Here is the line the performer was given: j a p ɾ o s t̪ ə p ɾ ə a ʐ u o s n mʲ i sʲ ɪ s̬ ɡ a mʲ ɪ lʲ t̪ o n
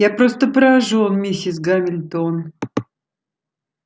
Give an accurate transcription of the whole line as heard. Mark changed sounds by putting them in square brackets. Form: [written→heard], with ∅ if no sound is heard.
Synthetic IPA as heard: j a p ɾ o s t̪ ə p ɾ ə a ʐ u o [s→∅] n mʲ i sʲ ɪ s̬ ɡ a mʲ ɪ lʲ t̪ o n